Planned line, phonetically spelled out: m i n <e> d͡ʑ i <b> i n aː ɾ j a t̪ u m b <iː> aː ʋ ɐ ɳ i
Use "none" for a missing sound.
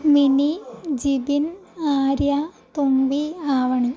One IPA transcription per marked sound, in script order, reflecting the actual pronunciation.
i, b, i

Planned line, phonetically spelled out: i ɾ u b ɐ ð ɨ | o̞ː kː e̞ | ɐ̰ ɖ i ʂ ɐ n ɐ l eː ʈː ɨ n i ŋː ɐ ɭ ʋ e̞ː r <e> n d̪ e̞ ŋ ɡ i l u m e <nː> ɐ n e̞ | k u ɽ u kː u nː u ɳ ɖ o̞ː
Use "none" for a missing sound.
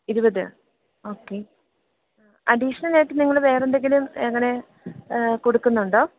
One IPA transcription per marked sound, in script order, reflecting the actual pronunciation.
e, ŋː

